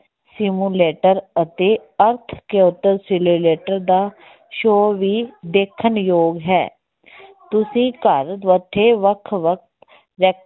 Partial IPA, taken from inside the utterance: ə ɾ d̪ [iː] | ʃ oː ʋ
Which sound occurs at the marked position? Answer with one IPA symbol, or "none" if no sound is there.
aː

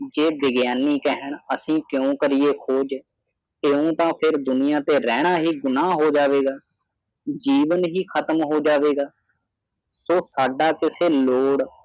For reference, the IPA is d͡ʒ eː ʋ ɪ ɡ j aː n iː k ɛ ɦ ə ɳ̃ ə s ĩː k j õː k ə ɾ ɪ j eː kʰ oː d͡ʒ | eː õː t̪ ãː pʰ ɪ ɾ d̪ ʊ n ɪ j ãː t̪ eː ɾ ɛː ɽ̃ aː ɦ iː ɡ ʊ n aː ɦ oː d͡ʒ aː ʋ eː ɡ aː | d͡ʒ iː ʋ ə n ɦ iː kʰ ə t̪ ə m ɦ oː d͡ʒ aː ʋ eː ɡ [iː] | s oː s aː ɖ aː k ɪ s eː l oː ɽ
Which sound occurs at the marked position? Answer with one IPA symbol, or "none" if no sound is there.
aː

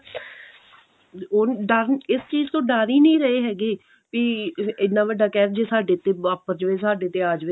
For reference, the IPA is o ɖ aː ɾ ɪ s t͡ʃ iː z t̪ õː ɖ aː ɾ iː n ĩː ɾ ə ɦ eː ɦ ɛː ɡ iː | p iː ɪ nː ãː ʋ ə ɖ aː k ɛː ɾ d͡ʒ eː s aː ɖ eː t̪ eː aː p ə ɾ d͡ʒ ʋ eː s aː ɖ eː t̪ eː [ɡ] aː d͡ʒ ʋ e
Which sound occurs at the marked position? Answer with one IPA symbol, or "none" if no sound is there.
none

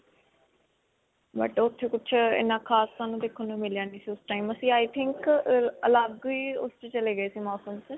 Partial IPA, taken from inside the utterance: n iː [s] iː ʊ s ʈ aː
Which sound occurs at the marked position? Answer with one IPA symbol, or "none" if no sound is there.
s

